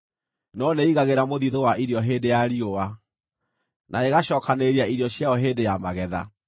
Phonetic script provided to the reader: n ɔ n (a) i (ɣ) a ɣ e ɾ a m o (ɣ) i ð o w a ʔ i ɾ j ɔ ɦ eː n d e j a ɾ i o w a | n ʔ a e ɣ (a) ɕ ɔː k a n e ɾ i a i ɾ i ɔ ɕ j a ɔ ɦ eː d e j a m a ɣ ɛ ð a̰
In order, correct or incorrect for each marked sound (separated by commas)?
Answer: incorrect, correct, incorrect, correct